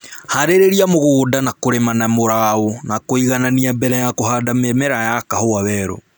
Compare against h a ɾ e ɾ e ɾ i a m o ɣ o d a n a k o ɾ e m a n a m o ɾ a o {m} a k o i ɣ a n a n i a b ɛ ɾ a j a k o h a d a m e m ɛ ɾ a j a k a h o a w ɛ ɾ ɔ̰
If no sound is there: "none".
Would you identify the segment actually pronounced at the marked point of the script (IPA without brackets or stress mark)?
n